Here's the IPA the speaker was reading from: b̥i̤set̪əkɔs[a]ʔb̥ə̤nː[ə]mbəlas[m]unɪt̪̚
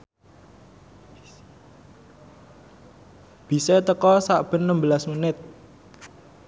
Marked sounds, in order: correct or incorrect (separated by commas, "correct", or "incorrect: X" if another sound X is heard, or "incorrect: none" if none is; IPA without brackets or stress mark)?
correct, correct, correct